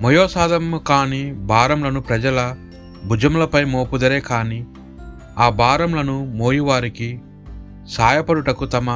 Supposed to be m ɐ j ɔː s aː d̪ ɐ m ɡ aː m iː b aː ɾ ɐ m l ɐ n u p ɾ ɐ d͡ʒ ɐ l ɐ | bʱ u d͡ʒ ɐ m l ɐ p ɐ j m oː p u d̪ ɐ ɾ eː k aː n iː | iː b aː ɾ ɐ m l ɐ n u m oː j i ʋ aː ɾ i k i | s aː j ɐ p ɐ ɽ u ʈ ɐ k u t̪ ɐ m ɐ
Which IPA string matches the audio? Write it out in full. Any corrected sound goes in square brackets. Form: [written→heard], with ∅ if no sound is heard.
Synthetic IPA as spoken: m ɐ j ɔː s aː d̪ ɐ m [ɡ→k] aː [m→n] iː b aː ɾ ɐ m l ɐ n u p ɾ ɐ d͡ʒ ɐ l ɐ | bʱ u d͡ʒ ɐ m l ɐ p ɐ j m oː p u d̪ ɐ ɾ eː k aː n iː | [iː→aː] b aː ɾ ɐ m l ɐ n u m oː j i ʋ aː ɾ i k i | s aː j ɐ p ɐ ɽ u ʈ ɐ k u t̪ ɐ m ɐ